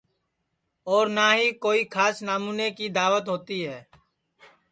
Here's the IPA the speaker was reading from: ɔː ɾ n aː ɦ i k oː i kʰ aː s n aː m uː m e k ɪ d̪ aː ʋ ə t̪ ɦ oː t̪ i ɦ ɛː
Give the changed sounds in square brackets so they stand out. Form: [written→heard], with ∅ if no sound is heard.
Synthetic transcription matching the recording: ɔː ɾ n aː ɦ i k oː i kʰ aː s n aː m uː [m→n] e k [ɪ→i] d̪ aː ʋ ə t̪ ɦ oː t̪ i ɦ ɛː

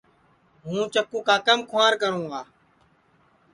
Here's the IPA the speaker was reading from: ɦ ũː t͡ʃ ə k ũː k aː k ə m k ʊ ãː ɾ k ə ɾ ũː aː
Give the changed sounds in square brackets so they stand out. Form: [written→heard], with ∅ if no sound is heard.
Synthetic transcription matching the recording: ɦ ũː t͡ʃ ə k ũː k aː k ə m [k→kʰ] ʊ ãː ɾ k ə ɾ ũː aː

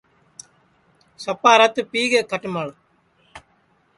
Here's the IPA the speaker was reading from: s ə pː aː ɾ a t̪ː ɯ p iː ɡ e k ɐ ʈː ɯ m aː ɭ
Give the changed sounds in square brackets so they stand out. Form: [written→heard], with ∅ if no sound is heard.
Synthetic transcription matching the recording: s [ə→ɐ] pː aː ɾ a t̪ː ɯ p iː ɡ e k ɐ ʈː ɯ m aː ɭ

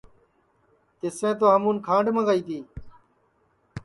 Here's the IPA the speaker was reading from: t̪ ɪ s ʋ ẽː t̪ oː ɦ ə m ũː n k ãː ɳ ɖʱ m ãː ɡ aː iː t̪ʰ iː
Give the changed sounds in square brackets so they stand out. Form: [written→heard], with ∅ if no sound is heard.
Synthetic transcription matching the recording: t̪ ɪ s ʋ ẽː t̪ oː ɦ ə m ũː n [k→kʰ] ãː ɳ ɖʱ m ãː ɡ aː iː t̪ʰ iː

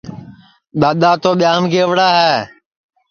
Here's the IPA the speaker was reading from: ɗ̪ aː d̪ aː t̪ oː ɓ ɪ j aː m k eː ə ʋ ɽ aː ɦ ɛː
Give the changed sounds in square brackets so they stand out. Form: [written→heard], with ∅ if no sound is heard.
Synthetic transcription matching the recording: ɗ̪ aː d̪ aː t̪ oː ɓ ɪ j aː m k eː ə ʋ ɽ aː ɦ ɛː

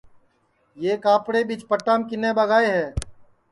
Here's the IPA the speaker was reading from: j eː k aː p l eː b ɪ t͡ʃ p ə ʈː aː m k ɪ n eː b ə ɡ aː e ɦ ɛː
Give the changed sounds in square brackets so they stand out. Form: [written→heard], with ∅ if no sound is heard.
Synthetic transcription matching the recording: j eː k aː p [l→ɽ] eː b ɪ t͡ʃ p ə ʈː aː m k ɪ n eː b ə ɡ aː e ɦ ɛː

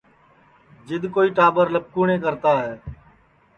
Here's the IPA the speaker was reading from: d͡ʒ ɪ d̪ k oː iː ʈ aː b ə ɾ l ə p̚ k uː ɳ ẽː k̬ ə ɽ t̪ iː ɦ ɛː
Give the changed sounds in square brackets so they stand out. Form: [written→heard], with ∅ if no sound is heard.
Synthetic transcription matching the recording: d͡ʒ ɪ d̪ k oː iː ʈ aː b ə ɾ l ə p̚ k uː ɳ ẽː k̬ ə [ɽ→ɾ] t̪ [iː→aː] ɦ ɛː

